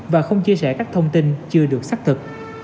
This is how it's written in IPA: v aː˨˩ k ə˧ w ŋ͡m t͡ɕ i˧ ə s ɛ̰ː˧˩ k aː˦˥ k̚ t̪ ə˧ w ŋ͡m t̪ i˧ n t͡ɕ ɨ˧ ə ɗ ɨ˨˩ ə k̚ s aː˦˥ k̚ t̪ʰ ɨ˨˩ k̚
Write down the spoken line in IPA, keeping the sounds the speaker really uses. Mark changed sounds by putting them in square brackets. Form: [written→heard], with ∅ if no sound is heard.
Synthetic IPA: v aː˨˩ [k→x] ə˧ w ŋ͡m t͡ɕ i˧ ə s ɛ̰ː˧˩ k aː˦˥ k̚ [t̪→t̪ʰ] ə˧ w ŋ͡m t̪ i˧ n t͡ɕ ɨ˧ ə ɗ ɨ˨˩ ə k̚ s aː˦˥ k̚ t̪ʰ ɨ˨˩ k̚